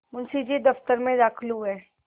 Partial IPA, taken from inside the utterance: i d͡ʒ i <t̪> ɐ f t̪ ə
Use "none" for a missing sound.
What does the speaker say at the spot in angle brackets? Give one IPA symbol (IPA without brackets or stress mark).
d̪